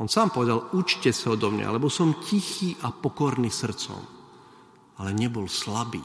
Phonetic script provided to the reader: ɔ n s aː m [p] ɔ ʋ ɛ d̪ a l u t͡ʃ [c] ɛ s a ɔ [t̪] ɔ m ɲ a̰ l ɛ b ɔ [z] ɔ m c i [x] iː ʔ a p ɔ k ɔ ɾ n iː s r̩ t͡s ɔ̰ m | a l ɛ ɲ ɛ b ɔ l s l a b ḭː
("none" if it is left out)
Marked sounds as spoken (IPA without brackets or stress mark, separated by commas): p, c, d̪, s, x